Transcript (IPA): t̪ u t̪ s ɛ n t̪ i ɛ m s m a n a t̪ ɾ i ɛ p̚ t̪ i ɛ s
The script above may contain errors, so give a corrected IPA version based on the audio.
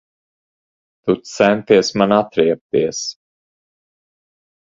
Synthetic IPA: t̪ u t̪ s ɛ n t̪ i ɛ s m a n a t̪ ɾ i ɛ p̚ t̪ i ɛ s